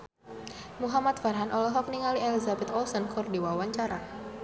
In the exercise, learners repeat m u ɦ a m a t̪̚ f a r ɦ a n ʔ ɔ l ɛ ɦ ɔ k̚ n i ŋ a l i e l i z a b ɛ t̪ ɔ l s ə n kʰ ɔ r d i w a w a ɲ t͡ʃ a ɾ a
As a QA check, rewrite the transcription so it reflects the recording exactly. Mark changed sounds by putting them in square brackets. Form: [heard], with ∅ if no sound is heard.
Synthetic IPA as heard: m u ɦ a m a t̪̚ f a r ɦ a n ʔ ɔ l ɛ ɦ ɔ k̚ n i ŋ a l i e l i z a b ɛ t̪ ɔ l s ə n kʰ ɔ r d i w a w a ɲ t͡ʃ a ɾ a